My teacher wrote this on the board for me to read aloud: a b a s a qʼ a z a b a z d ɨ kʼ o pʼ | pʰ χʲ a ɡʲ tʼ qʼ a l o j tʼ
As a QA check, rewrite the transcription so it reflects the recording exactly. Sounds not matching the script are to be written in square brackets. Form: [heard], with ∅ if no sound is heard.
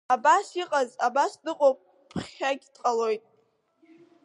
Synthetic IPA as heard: a b a s [i] qʼ a z a b a [s] d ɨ [qʼ] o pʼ | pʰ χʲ a ɡʲ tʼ qʼ a l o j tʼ